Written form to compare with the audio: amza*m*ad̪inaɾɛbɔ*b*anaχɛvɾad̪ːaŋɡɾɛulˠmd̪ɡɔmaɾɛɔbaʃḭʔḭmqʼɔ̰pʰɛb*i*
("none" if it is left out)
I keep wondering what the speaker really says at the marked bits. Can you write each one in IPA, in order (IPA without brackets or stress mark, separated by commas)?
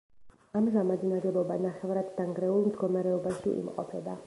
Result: m, b, a